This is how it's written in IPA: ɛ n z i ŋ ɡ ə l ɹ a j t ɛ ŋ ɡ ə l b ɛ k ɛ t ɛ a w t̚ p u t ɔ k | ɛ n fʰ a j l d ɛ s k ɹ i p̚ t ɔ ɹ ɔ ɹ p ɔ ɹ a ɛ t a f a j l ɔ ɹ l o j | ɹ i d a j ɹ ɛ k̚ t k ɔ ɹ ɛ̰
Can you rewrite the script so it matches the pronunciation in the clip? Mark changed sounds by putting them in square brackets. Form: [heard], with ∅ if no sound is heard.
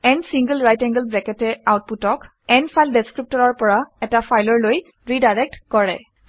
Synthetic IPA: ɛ n [s] i ŋ ɡ ə l ɹ a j t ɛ ŋ ɡ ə l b ɛ k ɛ t ɛ a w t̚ p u t ɔ k | ɛ n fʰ a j l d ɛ s k ɹ i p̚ t ɔ ɹ ɔ ɹ p ɔ ɹ a ɛ t a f a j l ɔ ɹ l o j | ɹ i d a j ɹ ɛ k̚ t k ɔ ɹ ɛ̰